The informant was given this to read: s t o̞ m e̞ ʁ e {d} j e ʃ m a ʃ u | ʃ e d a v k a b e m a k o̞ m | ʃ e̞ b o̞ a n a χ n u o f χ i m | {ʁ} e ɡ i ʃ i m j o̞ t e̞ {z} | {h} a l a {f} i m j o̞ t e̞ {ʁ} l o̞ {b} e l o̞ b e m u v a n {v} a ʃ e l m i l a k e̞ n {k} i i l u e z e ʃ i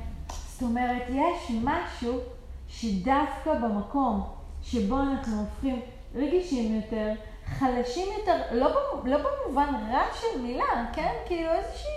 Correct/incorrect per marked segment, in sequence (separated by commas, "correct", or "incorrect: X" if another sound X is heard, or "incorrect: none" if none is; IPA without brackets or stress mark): incorrect: t, correct, incorrect: ʁ, incorrect: χ, incorrect: ʃ, correct, correct, incorrect: ʁ, correct